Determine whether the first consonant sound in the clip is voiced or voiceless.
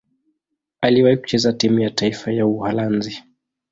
voiced